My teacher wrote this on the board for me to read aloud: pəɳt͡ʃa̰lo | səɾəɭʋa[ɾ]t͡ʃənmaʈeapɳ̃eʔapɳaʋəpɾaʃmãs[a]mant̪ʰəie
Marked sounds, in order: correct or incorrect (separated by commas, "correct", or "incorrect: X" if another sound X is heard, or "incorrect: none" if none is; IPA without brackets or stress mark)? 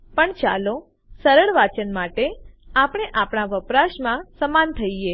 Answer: incorrect: none, incorrect: ə